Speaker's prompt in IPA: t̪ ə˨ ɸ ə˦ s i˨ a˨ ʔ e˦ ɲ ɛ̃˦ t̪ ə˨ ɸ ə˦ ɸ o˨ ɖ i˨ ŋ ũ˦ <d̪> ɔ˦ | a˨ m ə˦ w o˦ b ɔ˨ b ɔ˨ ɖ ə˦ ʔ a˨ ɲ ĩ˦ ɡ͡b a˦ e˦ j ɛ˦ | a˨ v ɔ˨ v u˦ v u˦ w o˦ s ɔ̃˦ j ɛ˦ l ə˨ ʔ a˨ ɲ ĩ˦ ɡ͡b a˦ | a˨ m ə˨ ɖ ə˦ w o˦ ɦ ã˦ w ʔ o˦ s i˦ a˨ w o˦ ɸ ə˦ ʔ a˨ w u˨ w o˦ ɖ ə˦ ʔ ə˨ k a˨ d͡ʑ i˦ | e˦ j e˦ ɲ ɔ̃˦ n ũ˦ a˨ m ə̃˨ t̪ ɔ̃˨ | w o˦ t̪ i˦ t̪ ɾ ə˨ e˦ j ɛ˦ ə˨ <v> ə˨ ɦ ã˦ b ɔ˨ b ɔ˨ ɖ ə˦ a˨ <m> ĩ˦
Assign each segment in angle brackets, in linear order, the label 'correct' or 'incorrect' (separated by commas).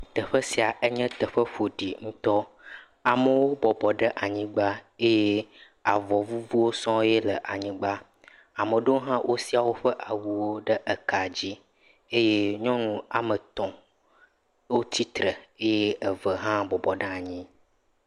incorrect, correct, incorrect